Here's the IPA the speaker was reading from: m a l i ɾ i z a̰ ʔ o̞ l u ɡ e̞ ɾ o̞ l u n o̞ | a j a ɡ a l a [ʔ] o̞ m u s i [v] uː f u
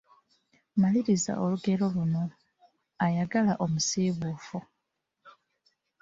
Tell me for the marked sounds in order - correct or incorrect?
correct, incorrect

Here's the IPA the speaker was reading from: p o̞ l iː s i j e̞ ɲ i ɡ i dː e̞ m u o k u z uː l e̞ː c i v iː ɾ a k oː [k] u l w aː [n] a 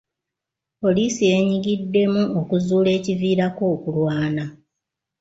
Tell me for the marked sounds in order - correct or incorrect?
correct, correct

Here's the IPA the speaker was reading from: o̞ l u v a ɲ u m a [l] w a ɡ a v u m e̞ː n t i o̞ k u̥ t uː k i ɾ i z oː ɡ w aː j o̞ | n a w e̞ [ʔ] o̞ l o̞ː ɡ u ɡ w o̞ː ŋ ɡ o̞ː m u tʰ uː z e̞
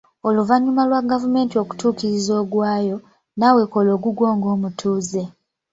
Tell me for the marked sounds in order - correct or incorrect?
correct, incorrect

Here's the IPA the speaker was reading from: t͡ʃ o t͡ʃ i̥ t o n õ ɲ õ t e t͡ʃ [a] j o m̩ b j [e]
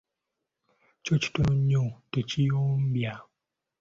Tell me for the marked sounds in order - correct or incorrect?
incorrect, incorrect

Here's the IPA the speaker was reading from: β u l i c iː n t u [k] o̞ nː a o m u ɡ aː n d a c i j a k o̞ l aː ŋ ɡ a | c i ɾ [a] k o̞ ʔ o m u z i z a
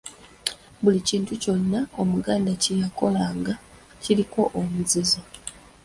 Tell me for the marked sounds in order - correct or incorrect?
incorrect, incorrect

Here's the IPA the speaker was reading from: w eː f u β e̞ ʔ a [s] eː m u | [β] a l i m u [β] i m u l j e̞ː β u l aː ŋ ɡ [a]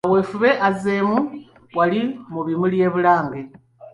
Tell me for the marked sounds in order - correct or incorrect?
incorrect, incorrect, correct, incorrect

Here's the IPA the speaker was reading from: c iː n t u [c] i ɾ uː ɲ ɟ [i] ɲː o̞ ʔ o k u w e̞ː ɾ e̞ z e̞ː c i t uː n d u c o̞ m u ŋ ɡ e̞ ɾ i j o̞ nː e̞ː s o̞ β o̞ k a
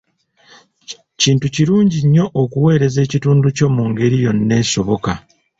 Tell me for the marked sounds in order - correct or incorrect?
correct, correct

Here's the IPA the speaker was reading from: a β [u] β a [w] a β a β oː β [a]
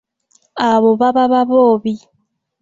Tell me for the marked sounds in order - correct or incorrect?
incorrect, incorrect, incorrect

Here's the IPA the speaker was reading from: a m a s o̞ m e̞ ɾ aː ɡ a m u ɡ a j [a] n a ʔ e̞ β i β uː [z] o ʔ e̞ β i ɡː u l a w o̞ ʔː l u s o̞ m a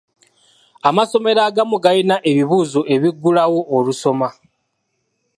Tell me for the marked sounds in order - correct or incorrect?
incorrect, correct

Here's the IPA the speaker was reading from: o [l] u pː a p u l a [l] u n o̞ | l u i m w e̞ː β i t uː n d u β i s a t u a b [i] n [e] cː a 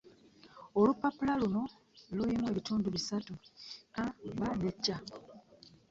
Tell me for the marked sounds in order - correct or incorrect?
correct, correct, incorrect, correct

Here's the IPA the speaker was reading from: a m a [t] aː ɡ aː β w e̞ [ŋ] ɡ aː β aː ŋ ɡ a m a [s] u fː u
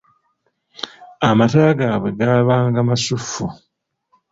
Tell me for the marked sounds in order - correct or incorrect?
correct, incorrect, correct

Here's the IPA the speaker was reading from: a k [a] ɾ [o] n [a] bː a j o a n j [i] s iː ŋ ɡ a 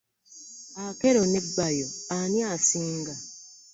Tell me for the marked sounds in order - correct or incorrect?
incorrect, correct, incorrect, incorrect

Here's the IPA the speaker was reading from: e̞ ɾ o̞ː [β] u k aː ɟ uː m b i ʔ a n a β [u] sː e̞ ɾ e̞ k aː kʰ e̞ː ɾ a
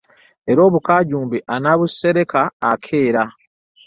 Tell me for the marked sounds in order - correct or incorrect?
correct, correct

